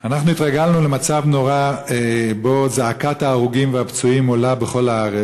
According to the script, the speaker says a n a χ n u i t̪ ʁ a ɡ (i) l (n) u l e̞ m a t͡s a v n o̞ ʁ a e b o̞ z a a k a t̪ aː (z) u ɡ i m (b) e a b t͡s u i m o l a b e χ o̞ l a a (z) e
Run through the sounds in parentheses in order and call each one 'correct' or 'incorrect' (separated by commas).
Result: incorrect, correct, incorrect, incorrect, incorrect